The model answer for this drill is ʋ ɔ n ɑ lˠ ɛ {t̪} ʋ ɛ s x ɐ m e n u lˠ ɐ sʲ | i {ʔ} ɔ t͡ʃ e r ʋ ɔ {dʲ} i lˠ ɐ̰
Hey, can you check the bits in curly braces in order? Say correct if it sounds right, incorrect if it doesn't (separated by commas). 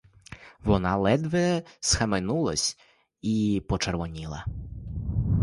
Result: incorrect, incorrect, incorrect